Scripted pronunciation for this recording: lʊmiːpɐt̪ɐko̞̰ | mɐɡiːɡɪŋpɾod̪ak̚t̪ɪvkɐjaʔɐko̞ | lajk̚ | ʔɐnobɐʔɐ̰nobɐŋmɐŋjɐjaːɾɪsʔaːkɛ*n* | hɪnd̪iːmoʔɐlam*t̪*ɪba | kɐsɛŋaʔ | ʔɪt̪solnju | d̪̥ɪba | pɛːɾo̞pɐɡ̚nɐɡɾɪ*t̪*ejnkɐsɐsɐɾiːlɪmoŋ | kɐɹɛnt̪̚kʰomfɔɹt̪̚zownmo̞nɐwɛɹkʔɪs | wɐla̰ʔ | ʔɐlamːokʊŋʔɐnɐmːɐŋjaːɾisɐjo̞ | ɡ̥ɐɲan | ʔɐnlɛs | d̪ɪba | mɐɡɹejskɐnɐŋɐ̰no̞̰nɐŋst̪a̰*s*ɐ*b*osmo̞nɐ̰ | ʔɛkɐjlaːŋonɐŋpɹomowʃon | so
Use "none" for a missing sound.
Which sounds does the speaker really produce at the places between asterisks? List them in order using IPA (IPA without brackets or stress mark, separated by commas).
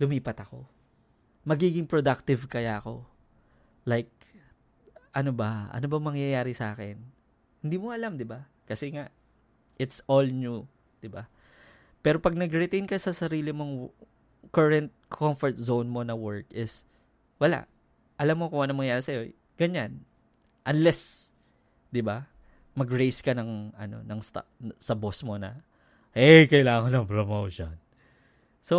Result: n, d̪, t̪, s, b